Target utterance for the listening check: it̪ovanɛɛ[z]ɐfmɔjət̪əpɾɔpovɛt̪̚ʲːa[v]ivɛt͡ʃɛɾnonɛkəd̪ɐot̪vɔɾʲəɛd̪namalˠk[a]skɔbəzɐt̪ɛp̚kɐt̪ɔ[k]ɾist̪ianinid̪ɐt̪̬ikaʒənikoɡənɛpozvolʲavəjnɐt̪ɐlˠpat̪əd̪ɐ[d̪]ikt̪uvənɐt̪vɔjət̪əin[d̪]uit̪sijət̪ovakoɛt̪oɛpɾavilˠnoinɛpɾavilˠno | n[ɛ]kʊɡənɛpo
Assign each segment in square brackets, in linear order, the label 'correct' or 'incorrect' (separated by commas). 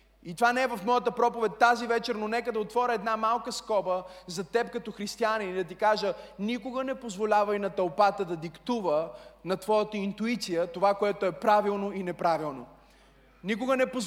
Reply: incorrect, incorrect, incorrect, incorrect, correct, incorrect, incorrect